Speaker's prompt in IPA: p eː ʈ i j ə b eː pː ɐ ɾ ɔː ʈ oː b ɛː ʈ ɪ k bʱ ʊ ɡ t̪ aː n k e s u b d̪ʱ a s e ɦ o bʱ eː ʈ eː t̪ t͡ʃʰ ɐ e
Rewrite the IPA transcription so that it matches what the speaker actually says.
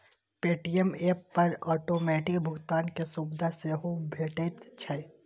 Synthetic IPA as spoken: p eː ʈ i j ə m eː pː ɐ ɾ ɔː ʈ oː m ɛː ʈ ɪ k bʱ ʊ ɡ t̪ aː n k e s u b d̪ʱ a s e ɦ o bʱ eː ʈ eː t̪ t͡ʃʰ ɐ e